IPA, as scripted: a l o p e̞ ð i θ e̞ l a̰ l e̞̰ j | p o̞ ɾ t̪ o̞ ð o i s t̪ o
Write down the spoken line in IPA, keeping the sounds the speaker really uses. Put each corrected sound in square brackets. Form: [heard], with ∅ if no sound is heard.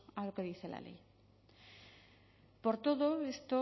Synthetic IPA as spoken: a l o [k] e̞ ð i θ e̞ l a̰ l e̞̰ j | p o̞ ɾ t̪ o̞ ð o [e] s t̪ o